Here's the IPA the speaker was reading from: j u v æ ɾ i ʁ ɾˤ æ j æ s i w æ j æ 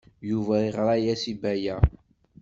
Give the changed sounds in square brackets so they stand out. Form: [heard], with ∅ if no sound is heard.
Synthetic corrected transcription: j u v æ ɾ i ʁ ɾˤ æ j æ s i [b] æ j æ